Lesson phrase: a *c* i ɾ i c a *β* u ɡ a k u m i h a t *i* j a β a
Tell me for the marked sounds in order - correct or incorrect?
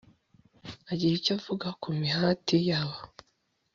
incorrect: ɟ, incorrect: v, correct

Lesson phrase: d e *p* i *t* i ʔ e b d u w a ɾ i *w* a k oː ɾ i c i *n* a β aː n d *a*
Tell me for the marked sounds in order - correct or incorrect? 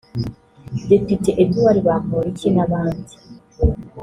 correct, correct, incorrect: β, correct, incorrect: i

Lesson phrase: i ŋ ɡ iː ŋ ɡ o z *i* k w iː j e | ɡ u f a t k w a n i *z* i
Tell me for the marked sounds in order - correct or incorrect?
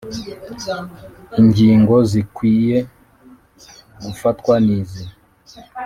correct, correct

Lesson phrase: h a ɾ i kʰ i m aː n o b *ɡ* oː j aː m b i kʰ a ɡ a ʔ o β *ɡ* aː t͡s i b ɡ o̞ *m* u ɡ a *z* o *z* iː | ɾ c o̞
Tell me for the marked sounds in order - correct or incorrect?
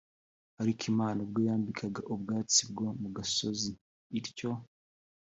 correct, correct, correct, incorrect: s, correct

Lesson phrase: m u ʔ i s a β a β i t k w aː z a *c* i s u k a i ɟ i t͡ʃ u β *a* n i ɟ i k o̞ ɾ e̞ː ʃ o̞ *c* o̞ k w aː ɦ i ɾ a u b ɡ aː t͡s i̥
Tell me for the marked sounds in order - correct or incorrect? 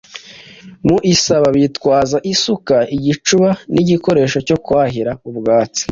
incorrect: ʔ, correct, correct

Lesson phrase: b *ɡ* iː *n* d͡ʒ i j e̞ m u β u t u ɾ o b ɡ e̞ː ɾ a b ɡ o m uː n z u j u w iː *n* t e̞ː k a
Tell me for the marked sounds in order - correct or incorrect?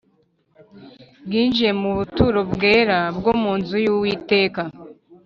correct, correct, incorrect: none

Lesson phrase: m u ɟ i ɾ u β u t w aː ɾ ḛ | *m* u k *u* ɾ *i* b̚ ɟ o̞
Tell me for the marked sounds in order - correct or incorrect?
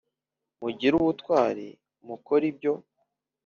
correct, incorrect: o, correct

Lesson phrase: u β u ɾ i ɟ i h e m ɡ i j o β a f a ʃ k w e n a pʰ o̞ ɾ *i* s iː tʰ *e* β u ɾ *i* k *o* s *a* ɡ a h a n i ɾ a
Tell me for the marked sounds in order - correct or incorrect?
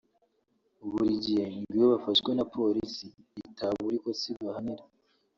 correct, incorrect: a, correct, correct, incorrect: i

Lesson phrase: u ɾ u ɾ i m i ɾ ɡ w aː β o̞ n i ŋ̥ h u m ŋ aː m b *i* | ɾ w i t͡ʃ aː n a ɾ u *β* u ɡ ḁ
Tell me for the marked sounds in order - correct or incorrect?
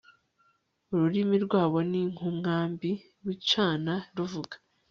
correct, incorrect: v

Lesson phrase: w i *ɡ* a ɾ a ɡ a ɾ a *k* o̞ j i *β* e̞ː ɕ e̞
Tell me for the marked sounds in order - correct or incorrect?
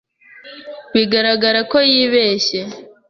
correct, correct, correct

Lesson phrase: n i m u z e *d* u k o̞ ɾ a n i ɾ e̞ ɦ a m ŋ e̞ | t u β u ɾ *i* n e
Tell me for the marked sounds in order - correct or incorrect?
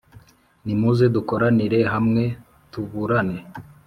correct, incorrect: a

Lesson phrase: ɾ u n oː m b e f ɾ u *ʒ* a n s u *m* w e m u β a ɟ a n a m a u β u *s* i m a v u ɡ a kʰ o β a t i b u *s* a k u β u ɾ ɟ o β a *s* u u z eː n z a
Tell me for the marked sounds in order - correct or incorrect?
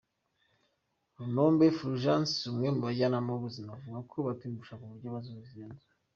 correct, correct, incorrect: z, incorrect: ʃ, incorrect: z

